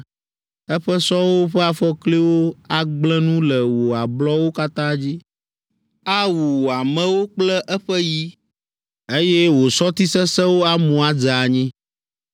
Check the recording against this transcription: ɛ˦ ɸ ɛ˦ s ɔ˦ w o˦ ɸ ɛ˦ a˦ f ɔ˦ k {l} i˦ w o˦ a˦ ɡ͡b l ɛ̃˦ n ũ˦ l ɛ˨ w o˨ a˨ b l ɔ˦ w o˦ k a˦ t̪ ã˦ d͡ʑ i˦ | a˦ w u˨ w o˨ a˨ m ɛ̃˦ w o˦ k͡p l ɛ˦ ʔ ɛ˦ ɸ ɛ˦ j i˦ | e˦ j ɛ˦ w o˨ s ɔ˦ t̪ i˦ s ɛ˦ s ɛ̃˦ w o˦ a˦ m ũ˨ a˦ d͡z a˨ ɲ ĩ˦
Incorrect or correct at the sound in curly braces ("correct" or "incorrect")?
correct